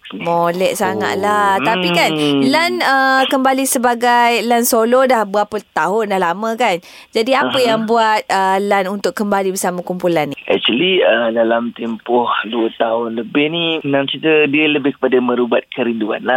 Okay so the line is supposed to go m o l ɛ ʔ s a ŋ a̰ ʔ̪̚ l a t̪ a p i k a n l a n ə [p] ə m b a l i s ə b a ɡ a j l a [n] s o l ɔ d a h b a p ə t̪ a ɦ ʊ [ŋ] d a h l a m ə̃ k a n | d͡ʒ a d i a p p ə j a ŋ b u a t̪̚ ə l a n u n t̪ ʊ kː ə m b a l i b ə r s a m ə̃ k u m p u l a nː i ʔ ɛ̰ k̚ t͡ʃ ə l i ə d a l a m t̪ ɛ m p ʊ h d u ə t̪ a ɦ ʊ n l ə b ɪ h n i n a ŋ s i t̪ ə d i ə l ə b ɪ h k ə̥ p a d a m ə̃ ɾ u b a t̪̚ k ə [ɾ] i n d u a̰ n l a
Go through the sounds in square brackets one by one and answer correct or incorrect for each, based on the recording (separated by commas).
incorrect, correct, incorrect, correct